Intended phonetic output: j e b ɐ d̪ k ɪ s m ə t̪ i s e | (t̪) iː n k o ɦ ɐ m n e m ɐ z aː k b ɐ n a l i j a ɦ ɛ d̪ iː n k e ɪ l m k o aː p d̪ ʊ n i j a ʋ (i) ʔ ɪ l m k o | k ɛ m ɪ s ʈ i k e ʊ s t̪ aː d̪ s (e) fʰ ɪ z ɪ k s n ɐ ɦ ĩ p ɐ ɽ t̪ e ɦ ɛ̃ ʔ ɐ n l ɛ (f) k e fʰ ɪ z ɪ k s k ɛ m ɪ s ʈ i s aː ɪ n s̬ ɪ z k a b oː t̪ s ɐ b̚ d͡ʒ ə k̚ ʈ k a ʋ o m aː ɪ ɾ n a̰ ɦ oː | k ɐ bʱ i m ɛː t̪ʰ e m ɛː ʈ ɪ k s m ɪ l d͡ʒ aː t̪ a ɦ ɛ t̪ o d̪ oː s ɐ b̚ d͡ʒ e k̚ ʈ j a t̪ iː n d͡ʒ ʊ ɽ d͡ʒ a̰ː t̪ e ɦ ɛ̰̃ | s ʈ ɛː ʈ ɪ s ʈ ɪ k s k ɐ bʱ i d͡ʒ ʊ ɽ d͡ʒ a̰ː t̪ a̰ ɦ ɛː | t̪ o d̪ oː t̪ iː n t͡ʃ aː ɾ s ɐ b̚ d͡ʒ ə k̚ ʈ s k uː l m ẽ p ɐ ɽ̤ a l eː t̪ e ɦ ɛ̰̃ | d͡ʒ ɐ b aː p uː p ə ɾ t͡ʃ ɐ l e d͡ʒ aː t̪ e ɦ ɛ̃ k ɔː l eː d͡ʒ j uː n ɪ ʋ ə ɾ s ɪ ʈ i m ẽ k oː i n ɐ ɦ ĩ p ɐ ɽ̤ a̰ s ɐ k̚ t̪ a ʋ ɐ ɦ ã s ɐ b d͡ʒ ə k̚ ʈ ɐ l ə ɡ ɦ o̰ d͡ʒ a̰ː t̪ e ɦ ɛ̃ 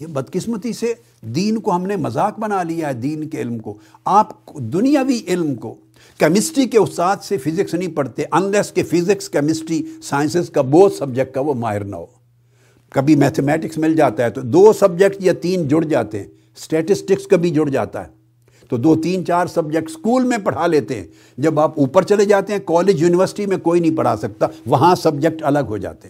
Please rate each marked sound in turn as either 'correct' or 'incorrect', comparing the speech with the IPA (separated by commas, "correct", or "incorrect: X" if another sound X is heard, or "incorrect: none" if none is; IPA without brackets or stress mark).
incorrect: d̪, correct, correct, incorrect: s